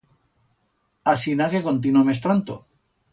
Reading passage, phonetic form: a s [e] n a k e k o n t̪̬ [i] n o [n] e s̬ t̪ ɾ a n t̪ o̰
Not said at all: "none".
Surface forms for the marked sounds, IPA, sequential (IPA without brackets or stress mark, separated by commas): i, i, m